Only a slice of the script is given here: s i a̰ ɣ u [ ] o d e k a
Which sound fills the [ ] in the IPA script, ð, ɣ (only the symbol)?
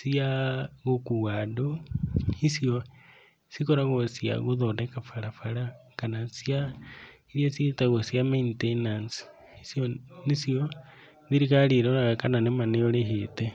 ð